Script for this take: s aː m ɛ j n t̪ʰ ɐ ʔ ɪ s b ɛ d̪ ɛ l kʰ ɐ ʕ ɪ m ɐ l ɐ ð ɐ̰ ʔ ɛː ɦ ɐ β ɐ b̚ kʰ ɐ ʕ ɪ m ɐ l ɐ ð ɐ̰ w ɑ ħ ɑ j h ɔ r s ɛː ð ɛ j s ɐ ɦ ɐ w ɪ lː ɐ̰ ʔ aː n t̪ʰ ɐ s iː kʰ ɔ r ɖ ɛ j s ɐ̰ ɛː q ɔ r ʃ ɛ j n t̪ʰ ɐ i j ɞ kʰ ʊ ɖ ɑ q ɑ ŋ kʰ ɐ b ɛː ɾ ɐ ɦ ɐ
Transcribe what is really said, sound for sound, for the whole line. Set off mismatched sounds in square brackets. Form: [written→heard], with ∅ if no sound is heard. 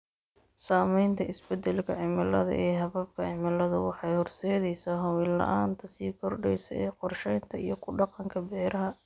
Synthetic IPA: s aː m ɛ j n t̪ʰ ɐ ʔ ɪ s b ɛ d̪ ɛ l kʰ ɐ ʕ ɪ m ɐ l ɐ ð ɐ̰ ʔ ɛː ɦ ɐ β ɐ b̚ kʰ ɐ ʕ ɪ m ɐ l ɐ ð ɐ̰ w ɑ ħ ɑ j h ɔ r s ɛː ð ɛ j s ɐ ɦ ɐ w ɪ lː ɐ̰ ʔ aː n t̪ʰ ɐ s iː kʰ ɔ r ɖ ɛ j s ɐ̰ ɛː q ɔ r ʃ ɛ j n t̪ʰ ɐ i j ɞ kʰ ʊ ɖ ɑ q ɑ ŋ kʰ ɐ b ɛː ɾ ɐ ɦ ɐ